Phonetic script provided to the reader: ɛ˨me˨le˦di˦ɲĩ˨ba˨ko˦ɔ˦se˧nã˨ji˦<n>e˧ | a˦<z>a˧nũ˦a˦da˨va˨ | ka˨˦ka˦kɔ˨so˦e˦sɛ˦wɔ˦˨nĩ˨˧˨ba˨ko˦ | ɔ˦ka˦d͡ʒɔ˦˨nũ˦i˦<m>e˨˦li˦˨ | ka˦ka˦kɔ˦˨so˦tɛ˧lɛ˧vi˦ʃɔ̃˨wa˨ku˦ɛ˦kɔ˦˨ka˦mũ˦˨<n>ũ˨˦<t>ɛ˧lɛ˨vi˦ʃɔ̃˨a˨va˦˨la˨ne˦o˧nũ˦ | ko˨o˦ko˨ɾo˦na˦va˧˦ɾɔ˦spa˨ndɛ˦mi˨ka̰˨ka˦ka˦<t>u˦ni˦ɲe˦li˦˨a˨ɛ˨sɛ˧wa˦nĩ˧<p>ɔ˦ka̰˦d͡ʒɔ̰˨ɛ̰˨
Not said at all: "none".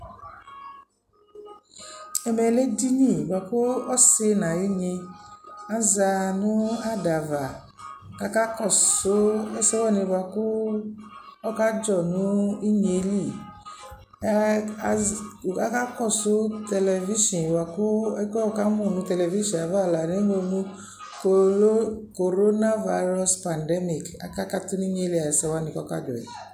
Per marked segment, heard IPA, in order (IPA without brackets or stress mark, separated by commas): ɲ, z, ɲ, n, t, t, k